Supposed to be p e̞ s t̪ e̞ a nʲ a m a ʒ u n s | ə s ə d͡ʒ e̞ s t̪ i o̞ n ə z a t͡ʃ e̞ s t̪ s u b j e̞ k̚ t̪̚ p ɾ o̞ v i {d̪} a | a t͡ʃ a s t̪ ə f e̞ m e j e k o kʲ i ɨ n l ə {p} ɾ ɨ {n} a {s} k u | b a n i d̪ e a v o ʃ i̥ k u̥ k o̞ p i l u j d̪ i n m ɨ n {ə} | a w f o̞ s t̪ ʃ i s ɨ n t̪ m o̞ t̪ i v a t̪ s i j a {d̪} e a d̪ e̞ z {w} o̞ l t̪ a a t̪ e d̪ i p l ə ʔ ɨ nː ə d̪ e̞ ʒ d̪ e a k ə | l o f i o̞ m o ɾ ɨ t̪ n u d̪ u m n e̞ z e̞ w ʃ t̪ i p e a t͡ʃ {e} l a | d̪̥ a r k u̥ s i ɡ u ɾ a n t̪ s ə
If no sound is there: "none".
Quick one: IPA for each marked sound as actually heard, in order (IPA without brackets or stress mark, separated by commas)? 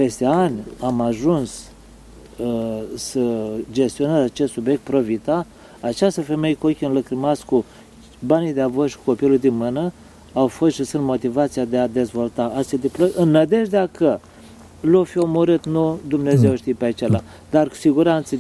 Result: t̪, k, m, s, ə, d̪, v, e